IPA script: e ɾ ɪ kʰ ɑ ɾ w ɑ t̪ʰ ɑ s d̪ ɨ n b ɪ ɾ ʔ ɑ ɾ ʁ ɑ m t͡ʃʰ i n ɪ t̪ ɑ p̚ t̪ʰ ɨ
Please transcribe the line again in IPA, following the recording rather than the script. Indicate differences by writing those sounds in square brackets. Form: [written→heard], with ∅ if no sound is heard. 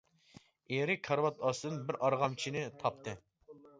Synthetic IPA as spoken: e ɾ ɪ kʰ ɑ ɾ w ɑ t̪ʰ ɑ s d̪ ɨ n b ɪ ɾ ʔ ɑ ɾ ʁ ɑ m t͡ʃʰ i n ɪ [t̪→t̪ʰ] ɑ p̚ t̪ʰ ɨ